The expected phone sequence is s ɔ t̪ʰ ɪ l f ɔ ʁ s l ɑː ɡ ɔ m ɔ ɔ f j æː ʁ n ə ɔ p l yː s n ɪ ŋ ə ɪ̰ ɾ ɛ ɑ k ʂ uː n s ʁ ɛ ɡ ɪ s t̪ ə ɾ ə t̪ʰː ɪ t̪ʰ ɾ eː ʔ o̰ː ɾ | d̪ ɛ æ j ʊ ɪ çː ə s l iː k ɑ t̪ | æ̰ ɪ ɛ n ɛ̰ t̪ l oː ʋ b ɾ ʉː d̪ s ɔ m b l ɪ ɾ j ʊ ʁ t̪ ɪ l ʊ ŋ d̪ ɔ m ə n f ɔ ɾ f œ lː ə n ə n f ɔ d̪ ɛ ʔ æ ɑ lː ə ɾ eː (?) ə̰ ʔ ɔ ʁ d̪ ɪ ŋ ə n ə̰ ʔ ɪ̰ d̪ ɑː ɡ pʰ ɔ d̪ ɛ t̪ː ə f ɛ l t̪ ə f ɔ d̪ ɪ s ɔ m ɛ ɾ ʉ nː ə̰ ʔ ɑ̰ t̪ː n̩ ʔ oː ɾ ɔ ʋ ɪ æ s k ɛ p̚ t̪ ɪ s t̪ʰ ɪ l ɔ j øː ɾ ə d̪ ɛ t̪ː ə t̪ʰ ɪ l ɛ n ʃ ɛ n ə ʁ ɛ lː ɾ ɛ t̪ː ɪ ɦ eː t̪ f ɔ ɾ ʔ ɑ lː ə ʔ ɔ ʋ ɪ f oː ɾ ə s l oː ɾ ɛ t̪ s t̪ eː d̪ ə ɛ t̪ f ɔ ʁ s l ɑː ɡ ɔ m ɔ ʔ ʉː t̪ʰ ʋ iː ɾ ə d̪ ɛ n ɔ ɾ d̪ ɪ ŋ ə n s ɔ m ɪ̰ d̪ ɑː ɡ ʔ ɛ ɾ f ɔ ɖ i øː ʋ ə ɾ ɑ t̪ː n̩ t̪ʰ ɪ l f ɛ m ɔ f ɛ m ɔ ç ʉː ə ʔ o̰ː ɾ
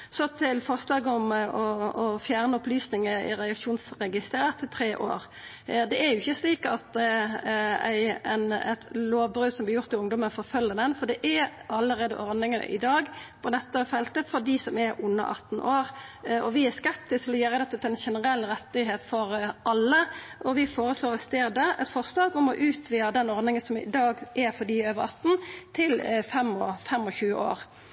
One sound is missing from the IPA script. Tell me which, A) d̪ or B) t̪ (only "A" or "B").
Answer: A